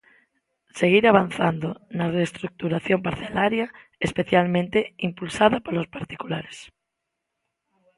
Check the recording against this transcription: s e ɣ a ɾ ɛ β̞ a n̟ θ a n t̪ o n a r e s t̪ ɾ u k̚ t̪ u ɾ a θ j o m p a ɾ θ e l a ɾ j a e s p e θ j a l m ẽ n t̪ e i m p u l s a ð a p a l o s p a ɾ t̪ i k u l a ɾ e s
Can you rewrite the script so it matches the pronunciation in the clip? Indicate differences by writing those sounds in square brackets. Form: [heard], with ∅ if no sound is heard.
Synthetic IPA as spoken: s e ɣ [i] ɾ [a] β̞ a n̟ θ a n [d̪] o n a r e s t̪ ɾ u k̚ t̪ u ɾ a θ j o m p a ɾ θ e l a ɾ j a e s p e θ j a l m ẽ n t̪ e i m p u l s a ð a p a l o s p a ɾ t̪ i k u l a ɾ e s

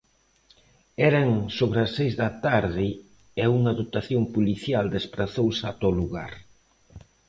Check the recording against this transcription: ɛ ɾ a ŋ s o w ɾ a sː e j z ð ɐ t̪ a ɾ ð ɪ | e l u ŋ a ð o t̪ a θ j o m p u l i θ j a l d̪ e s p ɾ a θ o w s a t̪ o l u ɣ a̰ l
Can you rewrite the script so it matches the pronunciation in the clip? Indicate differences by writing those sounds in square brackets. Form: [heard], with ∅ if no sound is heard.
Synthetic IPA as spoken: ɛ ɾ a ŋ s o [β] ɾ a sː e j z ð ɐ t̪ a ɾ ð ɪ | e [∅] u ŋ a ð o t̪ a θ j o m p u l i θ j a l d̪ e s p ɾ a θ o w s a t̪ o l u ɣ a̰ [ɾ]

